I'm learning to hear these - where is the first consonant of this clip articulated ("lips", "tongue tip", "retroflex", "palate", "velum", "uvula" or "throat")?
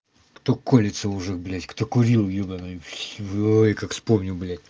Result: velum